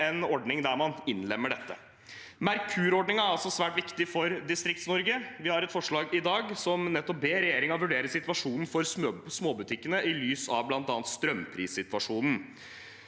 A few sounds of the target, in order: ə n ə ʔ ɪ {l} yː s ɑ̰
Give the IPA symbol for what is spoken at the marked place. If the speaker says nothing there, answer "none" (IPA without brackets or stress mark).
l